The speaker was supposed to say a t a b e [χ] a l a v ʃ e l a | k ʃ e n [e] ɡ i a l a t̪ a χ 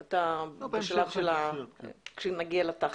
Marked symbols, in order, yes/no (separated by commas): no, no